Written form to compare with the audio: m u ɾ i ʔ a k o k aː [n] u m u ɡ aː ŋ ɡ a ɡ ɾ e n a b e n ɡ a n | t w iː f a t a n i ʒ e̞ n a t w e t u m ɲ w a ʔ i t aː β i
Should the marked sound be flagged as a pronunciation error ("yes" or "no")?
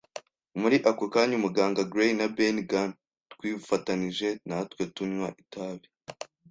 yes